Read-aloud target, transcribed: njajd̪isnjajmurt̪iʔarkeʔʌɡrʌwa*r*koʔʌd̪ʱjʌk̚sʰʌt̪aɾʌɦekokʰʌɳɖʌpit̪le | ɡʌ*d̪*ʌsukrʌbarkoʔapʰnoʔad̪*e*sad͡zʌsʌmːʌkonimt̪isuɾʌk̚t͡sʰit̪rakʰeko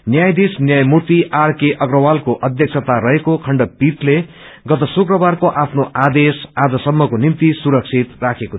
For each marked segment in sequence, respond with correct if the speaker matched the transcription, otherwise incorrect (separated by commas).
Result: incorrect, incorrect, correct